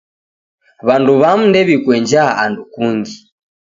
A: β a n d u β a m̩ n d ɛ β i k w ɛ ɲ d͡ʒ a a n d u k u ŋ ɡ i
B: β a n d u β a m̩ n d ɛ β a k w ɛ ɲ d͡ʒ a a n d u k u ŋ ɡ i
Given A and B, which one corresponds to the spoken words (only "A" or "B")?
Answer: A